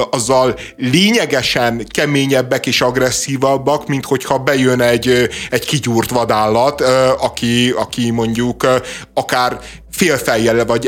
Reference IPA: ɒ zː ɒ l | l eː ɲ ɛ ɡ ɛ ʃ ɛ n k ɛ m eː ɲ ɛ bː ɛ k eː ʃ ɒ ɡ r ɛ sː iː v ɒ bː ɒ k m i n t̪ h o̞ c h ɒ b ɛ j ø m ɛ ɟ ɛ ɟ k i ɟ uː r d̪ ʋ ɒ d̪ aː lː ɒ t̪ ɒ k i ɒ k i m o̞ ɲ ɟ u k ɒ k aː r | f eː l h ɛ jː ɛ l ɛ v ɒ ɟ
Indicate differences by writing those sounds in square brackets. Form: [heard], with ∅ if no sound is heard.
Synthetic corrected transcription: ɒ zː ɒ l | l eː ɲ ɛ ɡ ɛ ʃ ɛ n k ɛ m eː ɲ ɛ bː ɛ k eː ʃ ɒ ɡ r ɛ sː iː v ɒ bː ɒ k m i n t̪ h o̞ c h ɒ b ɛ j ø [n] ɛ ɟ ɛ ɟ k i ɟ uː r [t̪] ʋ ɒ d̪ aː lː ɒ t̪ ɒ k i ɒ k i m o̞ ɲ ɟ u k ɒ k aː r | f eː l [f] ɛ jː ɛ l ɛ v ɒ ɟ